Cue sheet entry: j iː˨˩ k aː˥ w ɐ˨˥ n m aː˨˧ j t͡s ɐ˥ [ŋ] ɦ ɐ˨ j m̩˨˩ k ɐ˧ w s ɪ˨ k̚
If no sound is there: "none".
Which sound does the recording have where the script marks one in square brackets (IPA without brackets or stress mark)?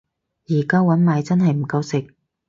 n